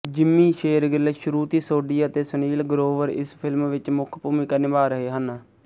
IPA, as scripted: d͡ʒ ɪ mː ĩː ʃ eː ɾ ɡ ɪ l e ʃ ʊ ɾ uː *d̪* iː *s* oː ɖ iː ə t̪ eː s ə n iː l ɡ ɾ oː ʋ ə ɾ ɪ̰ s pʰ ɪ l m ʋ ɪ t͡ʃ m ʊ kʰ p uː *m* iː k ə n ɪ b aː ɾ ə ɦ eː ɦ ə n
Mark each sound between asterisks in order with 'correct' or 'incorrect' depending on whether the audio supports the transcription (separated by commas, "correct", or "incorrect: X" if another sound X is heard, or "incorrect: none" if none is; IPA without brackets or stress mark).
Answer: incorrect: t̪, correct, correct